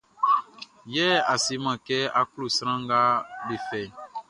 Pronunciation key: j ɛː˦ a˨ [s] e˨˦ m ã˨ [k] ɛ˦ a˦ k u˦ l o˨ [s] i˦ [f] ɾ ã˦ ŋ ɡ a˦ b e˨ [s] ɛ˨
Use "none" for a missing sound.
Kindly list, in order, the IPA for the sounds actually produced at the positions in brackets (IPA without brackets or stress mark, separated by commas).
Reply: s, k, s, none, f